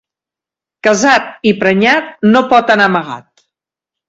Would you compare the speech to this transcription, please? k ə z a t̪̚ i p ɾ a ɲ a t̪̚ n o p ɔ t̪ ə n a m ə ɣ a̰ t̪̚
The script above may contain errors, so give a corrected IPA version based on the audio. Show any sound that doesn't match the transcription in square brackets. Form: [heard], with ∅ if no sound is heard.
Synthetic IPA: k ə z a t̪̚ i p ɾ [ə] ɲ a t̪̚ n o p ɔ t̪ ə n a m ə ɣ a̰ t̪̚